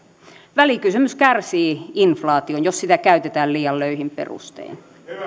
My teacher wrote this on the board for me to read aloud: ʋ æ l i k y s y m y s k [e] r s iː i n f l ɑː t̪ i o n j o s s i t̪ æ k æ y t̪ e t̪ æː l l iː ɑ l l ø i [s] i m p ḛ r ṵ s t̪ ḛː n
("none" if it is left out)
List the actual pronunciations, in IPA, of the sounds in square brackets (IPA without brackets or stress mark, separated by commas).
æ, h